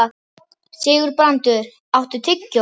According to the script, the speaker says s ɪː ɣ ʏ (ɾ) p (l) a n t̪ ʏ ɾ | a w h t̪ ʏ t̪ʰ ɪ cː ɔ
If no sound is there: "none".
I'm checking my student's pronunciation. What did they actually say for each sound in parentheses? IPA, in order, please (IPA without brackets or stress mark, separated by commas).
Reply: ɾ, ɾ